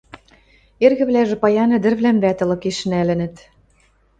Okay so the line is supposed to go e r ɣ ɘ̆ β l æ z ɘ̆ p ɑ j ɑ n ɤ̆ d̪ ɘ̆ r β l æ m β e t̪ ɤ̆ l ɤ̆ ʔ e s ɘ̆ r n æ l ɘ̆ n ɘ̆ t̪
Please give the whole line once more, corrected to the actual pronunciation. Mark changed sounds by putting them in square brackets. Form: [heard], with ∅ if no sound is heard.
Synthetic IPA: e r ɣ ɘ̆ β l æ [ʒ] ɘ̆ p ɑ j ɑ n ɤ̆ d̪ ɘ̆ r β l æ m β [æ] t̪ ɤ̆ l ɤ̆ [k] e [ʃ] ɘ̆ [∅] n æ l ɘ̆ n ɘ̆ t̪

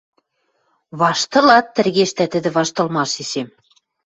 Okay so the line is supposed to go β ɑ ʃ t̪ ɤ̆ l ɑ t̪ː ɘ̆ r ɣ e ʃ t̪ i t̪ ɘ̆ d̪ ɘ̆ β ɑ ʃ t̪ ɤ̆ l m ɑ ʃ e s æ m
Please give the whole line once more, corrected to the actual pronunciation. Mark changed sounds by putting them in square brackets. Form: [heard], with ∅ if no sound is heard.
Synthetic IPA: β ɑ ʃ t̪ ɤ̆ l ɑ t̪ː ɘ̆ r ɣ e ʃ t̪ [æ] t̪ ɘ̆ d̪ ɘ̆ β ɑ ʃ t̪ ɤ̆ l m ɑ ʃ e s [e] m

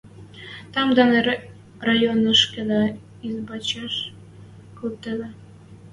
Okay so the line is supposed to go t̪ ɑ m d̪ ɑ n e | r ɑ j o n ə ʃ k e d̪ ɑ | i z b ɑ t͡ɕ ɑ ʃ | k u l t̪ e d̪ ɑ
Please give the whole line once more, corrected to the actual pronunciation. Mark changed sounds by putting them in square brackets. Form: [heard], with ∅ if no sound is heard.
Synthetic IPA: t̪ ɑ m d̪ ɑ n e | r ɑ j o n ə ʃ k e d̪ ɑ | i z b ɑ t͡ɕ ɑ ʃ | k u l t̪ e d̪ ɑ

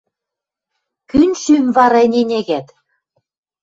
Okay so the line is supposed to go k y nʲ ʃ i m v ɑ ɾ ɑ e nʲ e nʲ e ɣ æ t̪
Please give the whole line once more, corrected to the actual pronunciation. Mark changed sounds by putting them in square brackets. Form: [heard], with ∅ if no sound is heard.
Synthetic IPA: k y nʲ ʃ [y] m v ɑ ɾ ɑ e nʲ e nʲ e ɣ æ t̪

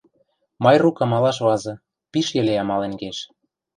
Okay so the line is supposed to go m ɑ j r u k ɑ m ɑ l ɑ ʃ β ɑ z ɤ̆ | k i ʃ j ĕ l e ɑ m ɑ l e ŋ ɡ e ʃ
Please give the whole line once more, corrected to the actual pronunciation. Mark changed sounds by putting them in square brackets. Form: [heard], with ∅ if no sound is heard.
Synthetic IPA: m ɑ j r u k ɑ m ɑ l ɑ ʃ β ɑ z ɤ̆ | [p] i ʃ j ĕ l e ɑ m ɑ l e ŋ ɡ e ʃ

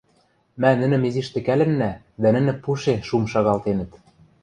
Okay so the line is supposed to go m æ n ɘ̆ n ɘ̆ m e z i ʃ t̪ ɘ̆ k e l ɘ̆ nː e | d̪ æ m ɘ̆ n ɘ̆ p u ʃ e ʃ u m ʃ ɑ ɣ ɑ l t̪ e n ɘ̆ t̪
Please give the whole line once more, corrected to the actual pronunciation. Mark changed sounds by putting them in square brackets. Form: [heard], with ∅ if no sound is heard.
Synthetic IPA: m æ n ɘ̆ n ɘ̆ m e z i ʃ t̪ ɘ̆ k [æ] l ɘ̆ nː [æ] | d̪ æ [n] ɘ̆ n ɘ̆ p u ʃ e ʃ u m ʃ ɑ ɣ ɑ l t̪ e n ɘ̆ t̪

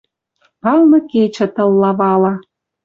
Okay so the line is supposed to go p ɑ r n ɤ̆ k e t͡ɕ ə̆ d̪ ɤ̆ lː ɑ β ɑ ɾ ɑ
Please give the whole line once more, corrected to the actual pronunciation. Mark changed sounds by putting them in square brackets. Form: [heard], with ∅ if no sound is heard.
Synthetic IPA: p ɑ [l] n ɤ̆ k e t͡ɕ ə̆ [t̪] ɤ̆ lː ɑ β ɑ [l] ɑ

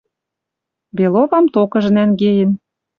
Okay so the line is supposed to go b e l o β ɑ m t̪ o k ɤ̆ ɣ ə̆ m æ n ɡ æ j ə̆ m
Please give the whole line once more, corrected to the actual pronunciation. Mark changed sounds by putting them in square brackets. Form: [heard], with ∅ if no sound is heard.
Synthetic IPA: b e l o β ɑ m t̪ o k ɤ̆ [ʒ] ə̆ [n] æ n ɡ [e] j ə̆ [n]

